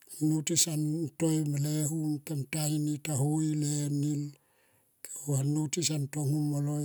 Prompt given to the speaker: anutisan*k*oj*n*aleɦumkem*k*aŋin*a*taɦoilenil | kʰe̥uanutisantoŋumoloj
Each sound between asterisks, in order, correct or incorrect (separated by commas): incorrect, incorrect, incorrect, incorrect